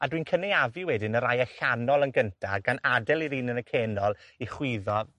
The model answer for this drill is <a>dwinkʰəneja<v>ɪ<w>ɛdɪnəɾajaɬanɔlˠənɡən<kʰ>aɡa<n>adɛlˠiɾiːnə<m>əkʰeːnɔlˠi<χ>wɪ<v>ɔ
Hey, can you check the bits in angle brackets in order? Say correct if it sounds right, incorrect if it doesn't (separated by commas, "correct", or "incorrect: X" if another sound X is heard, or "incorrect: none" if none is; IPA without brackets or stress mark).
correct, correct, correct, incorrect: tʰ, correct, incorrect: n, correct, incorrect: ð